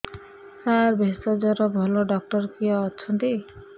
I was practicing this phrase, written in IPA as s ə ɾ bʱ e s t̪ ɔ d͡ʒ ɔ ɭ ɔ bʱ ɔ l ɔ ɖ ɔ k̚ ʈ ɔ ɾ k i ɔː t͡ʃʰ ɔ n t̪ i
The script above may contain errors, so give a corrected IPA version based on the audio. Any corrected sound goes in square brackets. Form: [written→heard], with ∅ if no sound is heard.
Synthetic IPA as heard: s [ə→a] ɾ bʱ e s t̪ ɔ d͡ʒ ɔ [ɭ→ɾ] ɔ bʱ ɔ l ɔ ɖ ɔ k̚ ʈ ɔ ɾ k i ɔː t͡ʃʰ ɔ n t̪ i